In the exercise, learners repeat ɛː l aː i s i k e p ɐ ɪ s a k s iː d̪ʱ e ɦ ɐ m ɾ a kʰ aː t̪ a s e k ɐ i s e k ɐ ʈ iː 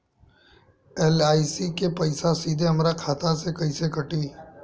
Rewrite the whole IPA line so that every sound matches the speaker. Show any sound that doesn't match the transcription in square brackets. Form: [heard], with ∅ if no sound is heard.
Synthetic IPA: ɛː l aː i s i k e p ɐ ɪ s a [∅] s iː d̪ʱ e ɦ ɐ m ɾ a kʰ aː t̪ a s e k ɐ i s e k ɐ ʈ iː